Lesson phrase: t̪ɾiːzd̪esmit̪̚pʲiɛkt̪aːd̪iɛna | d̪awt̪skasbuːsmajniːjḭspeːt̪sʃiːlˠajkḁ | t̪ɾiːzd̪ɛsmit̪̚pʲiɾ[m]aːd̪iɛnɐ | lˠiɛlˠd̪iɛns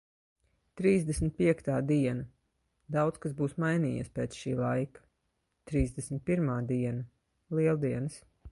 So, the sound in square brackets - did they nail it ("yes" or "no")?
yes